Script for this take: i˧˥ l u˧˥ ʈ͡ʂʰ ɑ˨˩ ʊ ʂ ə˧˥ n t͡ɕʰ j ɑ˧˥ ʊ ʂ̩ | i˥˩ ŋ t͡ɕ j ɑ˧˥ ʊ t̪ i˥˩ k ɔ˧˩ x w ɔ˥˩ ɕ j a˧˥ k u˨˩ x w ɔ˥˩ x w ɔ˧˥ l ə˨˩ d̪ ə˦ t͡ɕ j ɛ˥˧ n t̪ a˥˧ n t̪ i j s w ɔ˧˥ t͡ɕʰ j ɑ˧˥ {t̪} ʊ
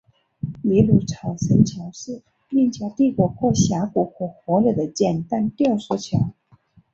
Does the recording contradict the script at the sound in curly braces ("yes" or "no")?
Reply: yes